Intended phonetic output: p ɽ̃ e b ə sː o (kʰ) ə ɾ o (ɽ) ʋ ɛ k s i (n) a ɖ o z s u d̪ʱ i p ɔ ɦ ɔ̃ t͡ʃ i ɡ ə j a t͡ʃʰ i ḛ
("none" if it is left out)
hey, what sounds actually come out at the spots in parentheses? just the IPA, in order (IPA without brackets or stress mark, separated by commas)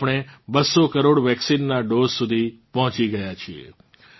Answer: k, ɽ, nː